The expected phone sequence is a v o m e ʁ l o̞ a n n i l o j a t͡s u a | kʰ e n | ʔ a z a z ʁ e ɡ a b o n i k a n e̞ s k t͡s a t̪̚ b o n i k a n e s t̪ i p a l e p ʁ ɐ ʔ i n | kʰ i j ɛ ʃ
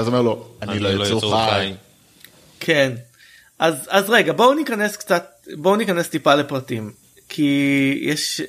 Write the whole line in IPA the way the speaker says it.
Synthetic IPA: a z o m e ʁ l o̞ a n n i l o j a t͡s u a | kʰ e n | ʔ a z a z ʁ e ɡ a b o n i k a n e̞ s k t͡s a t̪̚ b o n i k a n e s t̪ i p a l e p ʁ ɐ t i m | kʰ i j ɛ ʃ